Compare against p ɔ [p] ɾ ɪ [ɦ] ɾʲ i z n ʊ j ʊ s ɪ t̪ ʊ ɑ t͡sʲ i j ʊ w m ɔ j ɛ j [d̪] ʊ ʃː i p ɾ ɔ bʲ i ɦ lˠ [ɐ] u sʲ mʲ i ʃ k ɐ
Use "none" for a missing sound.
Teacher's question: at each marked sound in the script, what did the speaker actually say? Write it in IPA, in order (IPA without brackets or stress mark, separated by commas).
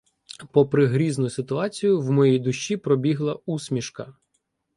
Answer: p, ɦ, d̪, ɐ